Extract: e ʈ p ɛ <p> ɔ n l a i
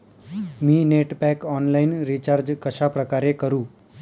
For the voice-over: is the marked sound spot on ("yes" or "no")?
no